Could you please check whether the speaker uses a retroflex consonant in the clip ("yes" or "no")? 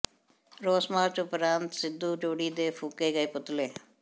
yes